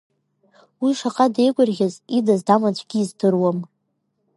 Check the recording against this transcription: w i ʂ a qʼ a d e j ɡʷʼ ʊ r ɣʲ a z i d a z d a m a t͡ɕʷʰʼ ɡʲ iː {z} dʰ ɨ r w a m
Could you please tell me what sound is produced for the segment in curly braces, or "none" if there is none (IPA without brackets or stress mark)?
z